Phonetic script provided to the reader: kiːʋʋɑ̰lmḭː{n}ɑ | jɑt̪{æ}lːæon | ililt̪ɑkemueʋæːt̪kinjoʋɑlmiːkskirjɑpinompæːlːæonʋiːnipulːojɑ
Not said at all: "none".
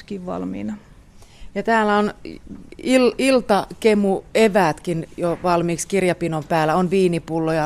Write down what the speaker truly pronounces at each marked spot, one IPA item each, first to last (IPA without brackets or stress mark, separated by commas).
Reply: n, æː